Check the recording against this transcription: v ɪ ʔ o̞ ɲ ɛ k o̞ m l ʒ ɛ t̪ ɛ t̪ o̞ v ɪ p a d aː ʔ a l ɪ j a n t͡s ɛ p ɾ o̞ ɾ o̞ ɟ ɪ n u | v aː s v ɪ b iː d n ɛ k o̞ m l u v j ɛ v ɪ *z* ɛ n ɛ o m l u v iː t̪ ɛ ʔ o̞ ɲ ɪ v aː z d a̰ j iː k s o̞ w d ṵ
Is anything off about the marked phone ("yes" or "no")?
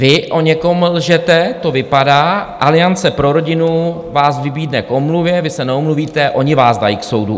yes